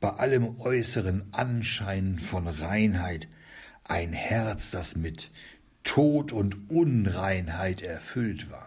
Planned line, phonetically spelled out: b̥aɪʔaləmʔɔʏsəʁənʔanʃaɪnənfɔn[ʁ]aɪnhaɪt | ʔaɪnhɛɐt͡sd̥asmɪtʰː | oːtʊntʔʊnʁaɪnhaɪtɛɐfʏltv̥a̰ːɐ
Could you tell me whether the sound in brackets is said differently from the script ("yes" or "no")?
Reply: no